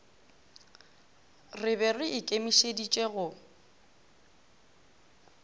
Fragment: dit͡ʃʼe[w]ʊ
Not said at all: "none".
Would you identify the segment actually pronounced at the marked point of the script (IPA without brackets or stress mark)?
ɣ